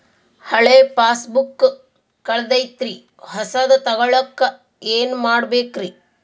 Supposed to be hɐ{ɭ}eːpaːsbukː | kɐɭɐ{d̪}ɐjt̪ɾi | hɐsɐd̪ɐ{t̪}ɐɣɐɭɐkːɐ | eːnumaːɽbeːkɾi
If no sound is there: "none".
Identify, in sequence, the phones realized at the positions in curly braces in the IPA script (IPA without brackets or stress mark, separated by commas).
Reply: ɭ, d̪, t̪